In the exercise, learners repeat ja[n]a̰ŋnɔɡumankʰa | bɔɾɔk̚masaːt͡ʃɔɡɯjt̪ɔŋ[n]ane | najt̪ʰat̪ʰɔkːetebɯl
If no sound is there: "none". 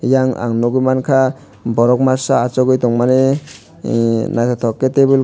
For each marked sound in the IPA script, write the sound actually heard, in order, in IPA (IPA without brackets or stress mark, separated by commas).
ŋ, m